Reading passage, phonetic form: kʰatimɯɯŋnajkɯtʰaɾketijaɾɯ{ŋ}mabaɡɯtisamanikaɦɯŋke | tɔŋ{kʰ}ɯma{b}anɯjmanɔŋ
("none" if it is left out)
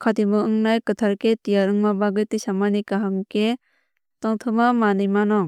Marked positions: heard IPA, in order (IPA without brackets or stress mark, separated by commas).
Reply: ŋ, tʰ, m